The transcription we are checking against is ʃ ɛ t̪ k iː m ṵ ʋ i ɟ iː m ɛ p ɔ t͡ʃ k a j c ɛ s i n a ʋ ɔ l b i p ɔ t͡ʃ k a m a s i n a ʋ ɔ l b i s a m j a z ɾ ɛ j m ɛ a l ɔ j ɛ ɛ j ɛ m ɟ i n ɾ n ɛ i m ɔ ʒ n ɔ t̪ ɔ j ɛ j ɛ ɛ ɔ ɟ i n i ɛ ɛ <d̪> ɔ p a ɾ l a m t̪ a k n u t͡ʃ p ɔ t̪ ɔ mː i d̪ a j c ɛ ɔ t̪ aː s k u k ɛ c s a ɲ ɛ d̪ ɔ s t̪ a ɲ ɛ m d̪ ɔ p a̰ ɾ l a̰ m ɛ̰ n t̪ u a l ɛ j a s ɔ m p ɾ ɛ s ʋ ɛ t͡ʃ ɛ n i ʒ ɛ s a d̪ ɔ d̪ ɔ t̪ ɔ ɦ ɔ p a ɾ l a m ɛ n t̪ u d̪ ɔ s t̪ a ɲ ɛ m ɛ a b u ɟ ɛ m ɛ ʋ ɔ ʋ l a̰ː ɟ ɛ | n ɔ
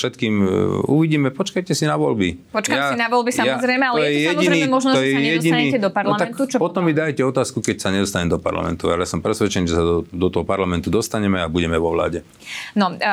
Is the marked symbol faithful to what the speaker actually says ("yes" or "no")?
yes